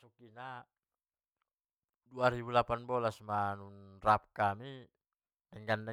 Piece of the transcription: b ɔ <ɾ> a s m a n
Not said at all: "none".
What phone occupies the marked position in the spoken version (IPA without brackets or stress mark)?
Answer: l